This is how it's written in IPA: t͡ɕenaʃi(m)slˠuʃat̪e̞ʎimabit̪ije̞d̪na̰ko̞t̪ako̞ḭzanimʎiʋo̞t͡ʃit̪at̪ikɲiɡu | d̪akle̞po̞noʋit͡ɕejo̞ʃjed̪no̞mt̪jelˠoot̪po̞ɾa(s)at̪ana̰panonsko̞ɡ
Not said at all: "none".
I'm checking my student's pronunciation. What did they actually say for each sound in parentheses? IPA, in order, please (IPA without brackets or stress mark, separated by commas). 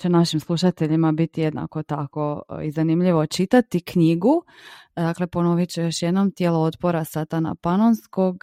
m, s